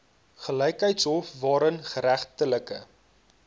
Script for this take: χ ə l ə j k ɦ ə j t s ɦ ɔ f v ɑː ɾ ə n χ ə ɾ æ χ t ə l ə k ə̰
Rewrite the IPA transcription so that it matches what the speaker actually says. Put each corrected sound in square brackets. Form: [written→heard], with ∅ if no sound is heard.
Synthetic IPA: χ ə l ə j k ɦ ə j t s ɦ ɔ f v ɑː ɾ ə n χ ə ɾ æ χ t ə l ə k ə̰